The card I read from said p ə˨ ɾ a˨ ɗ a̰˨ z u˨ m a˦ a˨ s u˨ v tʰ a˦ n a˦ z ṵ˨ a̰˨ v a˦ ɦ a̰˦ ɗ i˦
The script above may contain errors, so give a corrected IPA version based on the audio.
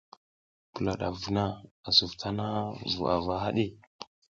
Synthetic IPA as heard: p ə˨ l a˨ ɗ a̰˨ v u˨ n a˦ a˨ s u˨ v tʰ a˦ n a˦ v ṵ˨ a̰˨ v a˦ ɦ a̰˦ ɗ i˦